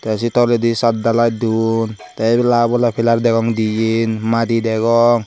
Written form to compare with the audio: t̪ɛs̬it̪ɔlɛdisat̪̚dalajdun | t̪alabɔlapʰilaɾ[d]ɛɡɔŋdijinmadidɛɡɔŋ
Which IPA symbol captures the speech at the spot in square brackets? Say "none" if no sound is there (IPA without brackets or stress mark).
d